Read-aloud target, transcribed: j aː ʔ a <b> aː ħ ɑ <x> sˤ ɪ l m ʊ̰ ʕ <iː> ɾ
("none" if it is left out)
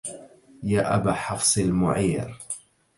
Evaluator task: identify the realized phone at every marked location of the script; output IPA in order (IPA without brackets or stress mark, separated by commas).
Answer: b, f, iː